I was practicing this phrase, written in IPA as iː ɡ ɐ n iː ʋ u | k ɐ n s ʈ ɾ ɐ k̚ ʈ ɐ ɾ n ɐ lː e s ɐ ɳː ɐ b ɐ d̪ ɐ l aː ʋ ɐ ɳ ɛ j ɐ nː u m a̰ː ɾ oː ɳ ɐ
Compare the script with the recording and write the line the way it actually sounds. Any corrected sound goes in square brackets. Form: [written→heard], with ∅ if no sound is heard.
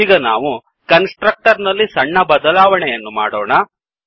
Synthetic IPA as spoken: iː ɡ ɐ n [iː→aː] ʋ u | k ɐ n s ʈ ɾ ɐ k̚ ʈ ɐ ɾ n ɐ lː [e→i] s ɐ ɳː ɐ b ɐ d̪ ɐ l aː ʋ ɐ ɳ ɛ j ɐ nː u m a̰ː [ɾ→ɽ] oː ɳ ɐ